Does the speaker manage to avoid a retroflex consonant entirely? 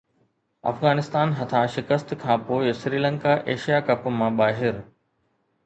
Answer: yes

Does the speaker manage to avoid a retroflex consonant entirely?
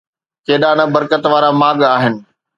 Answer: yes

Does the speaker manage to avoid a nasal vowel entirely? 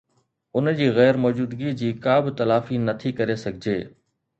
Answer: yes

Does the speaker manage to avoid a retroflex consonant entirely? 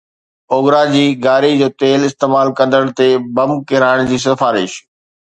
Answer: no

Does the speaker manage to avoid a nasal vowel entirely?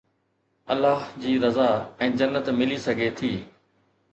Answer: no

